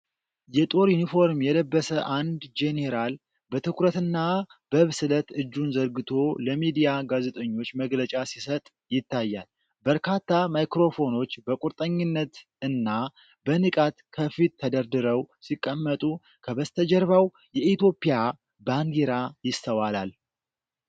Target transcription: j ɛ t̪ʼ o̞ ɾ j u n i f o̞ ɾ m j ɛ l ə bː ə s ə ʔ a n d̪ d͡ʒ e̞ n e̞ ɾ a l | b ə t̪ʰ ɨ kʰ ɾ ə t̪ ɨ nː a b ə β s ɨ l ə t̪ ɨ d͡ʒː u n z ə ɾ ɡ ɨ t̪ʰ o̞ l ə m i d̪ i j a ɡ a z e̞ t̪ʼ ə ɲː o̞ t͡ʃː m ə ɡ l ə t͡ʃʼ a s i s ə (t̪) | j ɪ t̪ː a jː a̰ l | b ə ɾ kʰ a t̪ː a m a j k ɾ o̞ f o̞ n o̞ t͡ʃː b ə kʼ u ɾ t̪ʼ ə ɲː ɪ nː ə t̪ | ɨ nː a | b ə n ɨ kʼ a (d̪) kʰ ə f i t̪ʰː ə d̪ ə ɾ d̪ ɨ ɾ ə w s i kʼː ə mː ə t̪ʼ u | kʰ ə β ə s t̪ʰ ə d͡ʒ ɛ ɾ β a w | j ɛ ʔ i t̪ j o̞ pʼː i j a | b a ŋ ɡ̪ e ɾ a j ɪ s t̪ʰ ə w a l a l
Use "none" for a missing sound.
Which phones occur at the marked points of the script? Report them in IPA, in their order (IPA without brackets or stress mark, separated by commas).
t̪ʼ, t̪